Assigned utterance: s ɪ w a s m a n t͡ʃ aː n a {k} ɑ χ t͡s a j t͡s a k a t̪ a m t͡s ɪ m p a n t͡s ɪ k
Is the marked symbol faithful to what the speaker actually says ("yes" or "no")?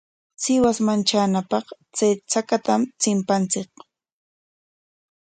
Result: no